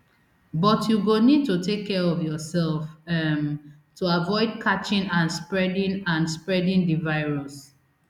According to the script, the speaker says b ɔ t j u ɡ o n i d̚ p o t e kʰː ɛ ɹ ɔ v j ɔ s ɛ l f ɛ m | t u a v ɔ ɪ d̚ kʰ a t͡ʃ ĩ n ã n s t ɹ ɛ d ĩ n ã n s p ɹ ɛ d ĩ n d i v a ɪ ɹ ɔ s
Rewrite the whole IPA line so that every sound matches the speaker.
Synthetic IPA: b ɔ t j u ɡ o n i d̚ t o t e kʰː ɛ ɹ ɔ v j ɔ s ɛ l f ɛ m | t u a v ɔ ɪ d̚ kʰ a t͡ʃ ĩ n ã n s p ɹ ɛ d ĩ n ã n s p ɹ ɛ d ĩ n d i v a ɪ ɹ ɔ s